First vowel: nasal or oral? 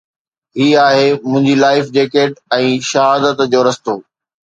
oral